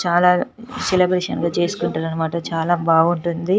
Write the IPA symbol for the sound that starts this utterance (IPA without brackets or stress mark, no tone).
t͡ʃ